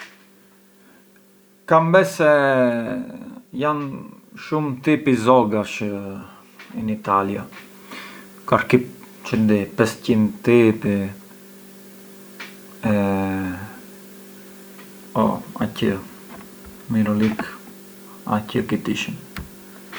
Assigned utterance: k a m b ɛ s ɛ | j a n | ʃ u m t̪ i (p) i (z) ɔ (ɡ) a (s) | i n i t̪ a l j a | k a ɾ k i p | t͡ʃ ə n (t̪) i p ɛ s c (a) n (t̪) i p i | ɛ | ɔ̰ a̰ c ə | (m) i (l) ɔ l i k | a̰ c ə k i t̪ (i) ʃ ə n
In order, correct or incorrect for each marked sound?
correct, correct, correct, incorrect: ʃ, incorrect: d̪, incorrect: i, correct, correct, incorrect: ɾ, correct

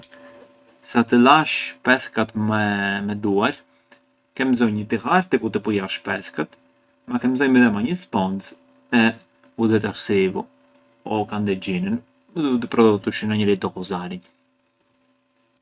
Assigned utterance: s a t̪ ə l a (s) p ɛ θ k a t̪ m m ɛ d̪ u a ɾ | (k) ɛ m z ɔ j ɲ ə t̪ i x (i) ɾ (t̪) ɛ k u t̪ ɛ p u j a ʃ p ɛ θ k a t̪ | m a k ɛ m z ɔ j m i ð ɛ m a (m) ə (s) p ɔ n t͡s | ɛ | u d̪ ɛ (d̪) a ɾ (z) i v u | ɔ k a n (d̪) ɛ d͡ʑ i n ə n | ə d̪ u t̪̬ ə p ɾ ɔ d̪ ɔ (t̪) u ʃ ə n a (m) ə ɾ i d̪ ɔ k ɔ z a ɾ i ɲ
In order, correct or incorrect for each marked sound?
incorrect: ʃ, correct, incorrect: a, correct, incorrect: ɲ, correct, incorrect: t̪, incorrect: s, correct, correct, incorrect: ɲ

